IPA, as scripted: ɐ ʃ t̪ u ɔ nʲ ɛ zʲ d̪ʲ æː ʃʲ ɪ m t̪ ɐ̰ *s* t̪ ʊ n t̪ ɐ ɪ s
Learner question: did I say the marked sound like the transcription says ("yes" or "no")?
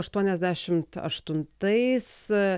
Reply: no